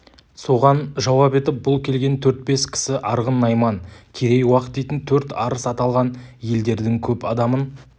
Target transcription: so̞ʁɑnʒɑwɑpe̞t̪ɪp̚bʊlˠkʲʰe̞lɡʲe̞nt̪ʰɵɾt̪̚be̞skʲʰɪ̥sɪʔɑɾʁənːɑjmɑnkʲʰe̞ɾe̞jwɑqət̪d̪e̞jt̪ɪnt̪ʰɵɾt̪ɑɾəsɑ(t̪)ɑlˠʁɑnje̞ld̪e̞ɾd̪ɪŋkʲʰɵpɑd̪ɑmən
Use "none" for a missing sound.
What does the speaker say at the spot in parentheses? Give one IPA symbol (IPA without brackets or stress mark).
t̪